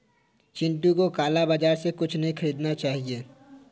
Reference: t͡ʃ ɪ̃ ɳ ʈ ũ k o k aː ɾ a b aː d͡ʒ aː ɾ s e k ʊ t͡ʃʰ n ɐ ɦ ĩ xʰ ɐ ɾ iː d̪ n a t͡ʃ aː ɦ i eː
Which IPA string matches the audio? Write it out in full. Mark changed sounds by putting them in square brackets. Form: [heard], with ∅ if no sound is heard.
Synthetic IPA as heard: t͡ʃ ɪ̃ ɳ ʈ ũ k o k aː [l] a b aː d͡ʒ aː ɾ s e k ʊ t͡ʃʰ n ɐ ɦ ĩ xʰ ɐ ɾ iː d̪ n a t͡ʃ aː ɦ i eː